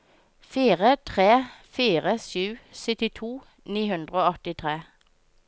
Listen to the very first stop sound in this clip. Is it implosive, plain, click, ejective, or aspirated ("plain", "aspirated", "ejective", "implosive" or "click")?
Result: aspirated